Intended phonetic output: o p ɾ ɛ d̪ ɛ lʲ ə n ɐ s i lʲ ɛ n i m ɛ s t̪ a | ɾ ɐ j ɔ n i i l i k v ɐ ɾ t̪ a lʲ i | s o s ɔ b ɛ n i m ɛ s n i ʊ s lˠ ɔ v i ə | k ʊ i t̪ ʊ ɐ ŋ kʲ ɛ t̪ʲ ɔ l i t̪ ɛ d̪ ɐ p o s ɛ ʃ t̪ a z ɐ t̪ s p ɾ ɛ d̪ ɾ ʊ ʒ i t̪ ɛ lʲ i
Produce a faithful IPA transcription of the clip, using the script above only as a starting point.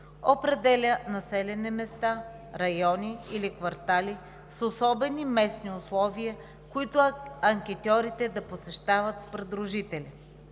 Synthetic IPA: o p ɾ ɛ d̪ ɛ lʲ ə n ɐ s ɛ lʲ ɛ n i m ɛ s t̪ a | ɾ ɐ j ɔ n i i l i k v ɐ ɾ t̪ a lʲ i | s o s ɔ b ɛ n i m ɛ s n i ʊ s lˠ ɔ v i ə | k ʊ i t̪ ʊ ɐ ŋ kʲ ɛ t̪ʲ ɔ ɾ i t̪ ɛ d̪ ɐ p o s ɛ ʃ t̪ a v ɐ t̪ s p ɾ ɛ d̪ ɾ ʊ ʒ i t̪ ɛ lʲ i